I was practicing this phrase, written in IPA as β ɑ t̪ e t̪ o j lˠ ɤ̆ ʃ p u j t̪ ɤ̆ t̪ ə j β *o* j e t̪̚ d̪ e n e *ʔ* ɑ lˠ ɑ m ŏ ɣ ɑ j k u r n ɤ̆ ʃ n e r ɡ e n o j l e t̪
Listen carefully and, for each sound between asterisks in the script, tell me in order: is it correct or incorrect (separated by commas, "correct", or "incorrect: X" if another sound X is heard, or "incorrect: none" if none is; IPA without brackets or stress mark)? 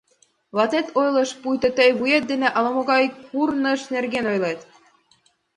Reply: incorrect: u, correct